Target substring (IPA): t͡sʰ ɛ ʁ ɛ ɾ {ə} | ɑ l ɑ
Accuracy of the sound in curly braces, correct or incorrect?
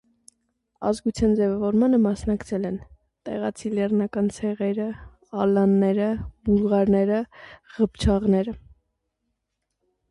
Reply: correct